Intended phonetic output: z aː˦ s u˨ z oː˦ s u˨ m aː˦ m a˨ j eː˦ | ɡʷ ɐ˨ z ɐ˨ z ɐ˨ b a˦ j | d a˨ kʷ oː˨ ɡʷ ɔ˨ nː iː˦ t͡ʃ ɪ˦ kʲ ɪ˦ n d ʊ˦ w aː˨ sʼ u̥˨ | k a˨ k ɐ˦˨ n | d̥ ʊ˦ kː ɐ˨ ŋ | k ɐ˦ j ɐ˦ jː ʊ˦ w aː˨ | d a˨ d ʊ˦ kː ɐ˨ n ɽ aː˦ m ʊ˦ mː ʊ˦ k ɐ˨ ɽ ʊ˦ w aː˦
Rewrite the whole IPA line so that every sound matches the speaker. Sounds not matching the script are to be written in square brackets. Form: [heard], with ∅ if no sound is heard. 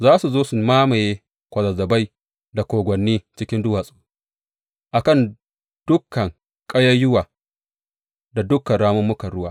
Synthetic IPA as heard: z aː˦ s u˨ z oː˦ s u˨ m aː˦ m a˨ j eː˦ | [kʷ] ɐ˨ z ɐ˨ z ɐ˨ b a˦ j | d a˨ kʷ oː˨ ɡʷ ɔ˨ nː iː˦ t͡ʃ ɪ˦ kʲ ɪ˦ n d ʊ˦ w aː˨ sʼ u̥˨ | [ʔ] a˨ k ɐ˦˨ n | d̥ ʊ˦ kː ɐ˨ ŋ | [kʼ] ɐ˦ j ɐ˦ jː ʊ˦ w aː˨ | d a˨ d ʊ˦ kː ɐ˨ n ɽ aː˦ m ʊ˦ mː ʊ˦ k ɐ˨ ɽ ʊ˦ w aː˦